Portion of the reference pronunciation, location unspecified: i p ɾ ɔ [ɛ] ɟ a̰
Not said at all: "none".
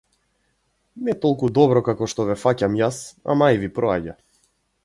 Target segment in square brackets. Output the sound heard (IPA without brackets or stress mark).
a